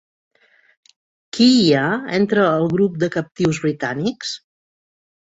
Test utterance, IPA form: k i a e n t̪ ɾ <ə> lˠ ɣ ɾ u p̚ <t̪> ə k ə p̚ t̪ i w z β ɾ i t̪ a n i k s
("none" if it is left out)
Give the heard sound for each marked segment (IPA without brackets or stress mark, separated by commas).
əː, d̪